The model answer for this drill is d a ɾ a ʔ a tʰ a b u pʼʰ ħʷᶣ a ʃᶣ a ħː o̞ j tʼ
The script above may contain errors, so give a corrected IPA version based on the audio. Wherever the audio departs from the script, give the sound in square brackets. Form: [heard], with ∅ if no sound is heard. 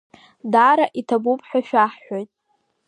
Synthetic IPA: d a ɾ a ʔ [i] tʰ a b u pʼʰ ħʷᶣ a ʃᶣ a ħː o̞ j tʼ